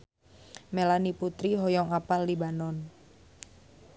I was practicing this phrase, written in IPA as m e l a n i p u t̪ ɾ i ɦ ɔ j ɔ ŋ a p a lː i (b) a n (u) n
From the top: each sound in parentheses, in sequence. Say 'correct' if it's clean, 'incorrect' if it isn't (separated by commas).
correct, incorrect